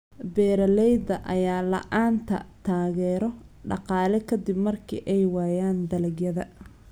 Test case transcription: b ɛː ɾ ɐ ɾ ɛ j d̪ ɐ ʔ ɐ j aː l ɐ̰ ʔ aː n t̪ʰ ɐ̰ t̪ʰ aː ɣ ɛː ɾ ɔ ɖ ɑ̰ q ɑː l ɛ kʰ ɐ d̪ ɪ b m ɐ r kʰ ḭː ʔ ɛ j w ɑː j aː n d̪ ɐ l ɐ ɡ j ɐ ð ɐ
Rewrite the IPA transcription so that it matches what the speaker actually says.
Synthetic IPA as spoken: b ɛː ɾ ɐ l ɛ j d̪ ɐ ʔ ɐ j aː l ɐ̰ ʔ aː n t̪ʰ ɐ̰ t̪ʰ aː ɣ ɛː ɾ ɔ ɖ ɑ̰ q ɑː l ɛ kʰ ɐ d̪ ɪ b m ɐ r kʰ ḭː ʔ ɛ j w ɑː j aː n d̪ ɐ l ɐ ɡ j ɐ ð ɐ